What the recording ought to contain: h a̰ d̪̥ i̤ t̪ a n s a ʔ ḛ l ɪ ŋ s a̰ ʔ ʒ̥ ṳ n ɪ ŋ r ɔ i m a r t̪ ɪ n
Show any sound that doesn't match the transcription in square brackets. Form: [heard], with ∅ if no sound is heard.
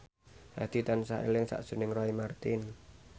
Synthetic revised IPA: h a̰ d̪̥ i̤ t̪ a n s a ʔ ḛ l ɪ ŋ s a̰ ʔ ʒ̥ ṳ n ɪ ŋ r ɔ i m a r t̪ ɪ n